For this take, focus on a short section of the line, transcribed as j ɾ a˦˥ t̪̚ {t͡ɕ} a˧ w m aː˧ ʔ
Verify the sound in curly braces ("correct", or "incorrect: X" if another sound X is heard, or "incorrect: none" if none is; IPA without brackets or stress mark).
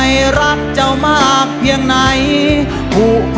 correct